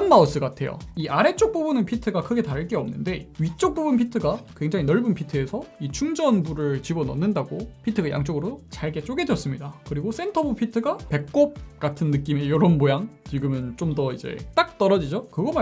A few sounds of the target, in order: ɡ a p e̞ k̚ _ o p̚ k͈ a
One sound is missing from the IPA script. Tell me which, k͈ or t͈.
k͈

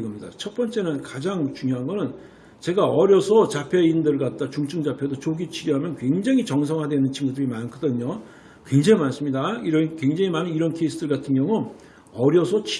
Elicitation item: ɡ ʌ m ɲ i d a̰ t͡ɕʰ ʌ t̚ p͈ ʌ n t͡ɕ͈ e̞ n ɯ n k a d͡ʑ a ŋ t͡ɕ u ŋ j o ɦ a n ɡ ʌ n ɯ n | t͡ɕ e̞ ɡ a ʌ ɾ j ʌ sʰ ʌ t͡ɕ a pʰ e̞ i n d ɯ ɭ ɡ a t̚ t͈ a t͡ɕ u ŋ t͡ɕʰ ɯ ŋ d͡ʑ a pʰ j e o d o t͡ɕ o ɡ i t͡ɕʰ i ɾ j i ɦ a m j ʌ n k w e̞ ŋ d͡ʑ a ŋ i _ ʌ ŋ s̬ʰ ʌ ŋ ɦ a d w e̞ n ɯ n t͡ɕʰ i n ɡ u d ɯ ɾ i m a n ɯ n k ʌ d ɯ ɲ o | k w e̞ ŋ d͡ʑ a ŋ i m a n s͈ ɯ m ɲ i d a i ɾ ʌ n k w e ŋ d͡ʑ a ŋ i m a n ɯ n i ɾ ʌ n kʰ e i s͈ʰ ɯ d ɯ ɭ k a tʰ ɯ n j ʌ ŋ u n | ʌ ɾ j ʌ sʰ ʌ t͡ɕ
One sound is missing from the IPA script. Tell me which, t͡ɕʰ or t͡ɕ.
t͡ɕ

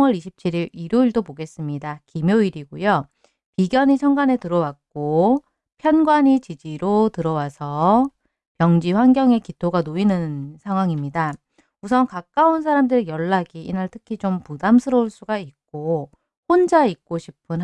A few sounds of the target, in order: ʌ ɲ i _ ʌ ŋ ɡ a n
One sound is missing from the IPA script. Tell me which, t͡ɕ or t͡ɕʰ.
t͡ɕʰ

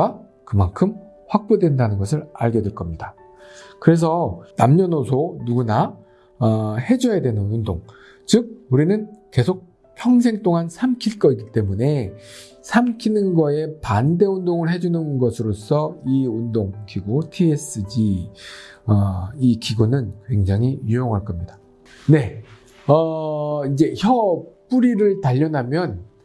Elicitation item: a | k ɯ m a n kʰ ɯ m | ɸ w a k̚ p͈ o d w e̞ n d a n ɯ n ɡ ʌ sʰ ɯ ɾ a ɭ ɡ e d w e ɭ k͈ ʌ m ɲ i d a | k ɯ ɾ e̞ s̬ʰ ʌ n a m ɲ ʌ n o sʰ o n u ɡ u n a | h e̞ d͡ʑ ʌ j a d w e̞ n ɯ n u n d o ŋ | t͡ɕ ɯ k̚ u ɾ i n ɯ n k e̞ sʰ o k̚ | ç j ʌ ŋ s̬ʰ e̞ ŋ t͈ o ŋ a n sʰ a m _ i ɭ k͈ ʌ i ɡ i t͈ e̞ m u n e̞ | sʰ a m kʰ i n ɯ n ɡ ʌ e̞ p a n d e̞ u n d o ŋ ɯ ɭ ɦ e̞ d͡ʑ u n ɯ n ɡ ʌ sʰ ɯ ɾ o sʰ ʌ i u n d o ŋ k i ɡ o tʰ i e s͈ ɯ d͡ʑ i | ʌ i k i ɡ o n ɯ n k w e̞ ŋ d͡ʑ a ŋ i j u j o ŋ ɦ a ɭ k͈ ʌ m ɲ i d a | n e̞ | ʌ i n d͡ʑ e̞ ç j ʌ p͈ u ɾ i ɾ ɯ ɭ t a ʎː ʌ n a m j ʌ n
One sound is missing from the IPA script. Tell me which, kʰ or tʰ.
kʰ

